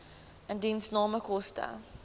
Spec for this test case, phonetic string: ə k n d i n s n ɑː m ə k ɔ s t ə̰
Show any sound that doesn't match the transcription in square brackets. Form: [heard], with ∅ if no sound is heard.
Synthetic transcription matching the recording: ə [∅] n d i n s n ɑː m ə k ɔ s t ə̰